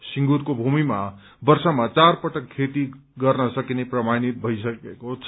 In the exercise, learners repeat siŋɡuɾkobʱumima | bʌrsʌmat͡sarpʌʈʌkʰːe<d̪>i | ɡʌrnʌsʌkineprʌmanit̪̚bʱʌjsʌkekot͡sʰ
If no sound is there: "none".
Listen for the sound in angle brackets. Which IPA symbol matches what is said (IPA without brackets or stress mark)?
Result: t̪